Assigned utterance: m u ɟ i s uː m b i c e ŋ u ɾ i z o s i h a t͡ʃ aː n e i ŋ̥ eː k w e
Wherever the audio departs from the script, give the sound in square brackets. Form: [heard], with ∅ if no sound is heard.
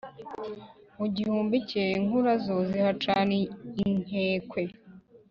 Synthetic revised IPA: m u ɟ i [h] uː m b i c e ŋ u ɾ [a] z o [z] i h a t͡ʃ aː n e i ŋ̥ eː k w e